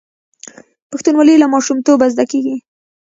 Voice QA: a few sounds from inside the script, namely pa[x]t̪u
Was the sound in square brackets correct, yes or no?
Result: yes